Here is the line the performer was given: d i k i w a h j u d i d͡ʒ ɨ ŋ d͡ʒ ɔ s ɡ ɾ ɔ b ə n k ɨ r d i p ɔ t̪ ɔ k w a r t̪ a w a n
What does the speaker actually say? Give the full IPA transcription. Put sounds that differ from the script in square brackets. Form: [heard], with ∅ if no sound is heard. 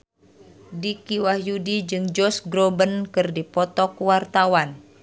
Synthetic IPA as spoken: d i k i w a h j u d i d͡ʒ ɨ ŋ d͡ʒ ɔ s ɡ ɾ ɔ b ə n k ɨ r d i p ɔ t̪ ɔ k w a r t̪ a w a n